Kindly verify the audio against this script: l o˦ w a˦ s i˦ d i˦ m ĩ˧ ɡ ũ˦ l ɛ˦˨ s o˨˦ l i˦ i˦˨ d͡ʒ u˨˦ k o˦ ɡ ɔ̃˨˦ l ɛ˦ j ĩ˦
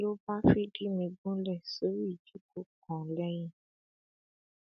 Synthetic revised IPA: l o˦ b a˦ f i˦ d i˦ m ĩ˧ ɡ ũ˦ l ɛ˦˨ s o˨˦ ɾ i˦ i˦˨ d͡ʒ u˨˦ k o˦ k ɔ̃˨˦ l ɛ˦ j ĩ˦